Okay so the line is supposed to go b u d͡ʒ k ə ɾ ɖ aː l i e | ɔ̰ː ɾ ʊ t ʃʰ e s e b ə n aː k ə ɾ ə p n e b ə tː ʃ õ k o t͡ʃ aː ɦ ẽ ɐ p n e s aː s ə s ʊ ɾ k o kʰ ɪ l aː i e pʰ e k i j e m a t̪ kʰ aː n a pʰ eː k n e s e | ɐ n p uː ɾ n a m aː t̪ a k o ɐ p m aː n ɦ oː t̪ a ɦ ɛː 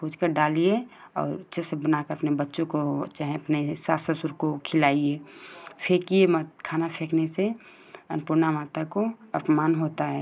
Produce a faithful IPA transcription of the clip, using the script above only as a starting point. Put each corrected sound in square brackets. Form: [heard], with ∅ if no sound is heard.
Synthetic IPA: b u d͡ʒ k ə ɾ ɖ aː l i e | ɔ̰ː ɾ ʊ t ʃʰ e s e b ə n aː k ə ɾ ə p n e b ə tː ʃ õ k o t͡ʃ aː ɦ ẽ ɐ p n e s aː s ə s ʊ ɾ k o kʰ ɪ l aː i e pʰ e k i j e m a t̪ kʰ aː n a pʰ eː k n e s e | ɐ n p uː ɾ n a m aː t̪ a k o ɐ p m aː n ɦ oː t̪ a ɦ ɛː